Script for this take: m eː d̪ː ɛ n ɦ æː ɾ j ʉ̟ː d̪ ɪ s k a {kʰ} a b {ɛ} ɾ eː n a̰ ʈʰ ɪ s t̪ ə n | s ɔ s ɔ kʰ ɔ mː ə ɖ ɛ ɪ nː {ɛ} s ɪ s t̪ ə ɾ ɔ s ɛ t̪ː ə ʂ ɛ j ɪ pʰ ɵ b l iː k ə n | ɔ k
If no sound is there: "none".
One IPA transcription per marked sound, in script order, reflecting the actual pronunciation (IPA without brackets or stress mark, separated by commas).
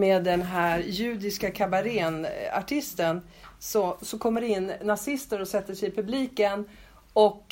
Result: kʰ, a, a